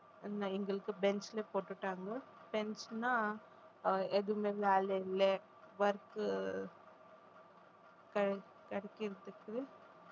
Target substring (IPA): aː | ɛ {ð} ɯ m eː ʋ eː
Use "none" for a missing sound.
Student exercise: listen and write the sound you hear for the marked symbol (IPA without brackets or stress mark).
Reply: ð